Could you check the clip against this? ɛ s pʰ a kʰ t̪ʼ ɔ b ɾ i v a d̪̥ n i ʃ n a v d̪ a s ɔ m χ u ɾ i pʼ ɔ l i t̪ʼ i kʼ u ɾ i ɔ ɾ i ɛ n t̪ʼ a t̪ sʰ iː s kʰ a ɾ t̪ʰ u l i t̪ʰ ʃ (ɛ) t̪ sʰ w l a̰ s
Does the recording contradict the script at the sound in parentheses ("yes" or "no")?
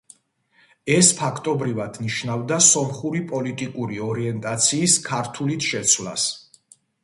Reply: no